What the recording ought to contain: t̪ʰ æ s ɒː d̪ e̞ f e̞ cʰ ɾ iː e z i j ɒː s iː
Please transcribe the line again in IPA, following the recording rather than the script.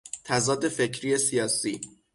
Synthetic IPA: t̪ʰ æ z ɒː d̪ e̞ f e̞ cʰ ɾ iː e s i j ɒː s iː